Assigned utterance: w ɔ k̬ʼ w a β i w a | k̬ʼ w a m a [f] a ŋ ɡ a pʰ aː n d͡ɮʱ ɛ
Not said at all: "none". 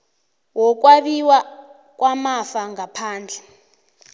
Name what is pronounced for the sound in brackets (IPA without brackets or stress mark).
f